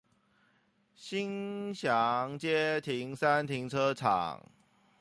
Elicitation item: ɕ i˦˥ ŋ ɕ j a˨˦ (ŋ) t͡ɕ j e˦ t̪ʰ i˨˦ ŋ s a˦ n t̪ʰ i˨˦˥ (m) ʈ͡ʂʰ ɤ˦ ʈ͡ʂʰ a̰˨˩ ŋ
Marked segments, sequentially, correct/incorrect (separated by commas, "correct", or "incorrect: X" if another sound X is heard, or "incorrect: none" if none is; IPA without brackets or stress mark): correct, incorrect: ŋ